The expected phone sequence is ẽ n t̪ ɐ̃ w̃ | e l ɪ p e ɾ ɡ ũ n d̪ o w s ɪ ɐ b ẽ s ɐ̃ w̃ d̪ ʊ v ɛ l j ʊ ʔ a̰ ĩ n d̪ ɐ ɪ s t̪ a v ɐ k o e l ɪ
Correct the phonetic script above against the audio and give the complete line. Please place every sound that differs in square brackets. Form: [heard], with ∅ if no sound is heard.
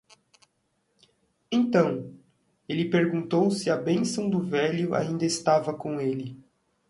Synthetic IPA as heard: ẽ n t̪ ɐ̃ w̃ | e l ɪ p e ɾ ɡ ũ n [t̪] o w s ɪ ɐ b ẽ s ɐ̃ w̃ d̪ ʊ v ɛ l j ʊ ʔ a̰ ĩ n d̪ ɐ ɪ s t̪ a v ɐ k [õ] e l ɪ